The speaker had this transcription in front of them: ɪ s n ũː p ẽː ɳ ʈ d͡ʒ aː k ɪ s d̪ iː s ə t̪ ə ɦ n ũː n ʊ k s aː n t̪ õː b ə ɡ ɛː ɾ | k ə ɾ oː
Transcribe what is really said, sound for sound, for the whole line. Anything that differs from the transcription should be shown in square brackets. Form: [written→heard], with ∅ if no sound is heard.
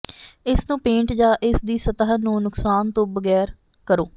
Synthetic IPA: ɪ s n ũː p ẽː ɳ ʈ d͡ʒ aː [k→ʔ] ɪ s d̪ iː s ə t̪ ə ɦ n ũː n ʊ k s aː n t̪ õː b ə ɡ ɛː ɾ | k ə ɾ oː